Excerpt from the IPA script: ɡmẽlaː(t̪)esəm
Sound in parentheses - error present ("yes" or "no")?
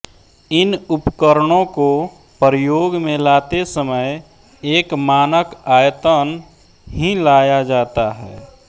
no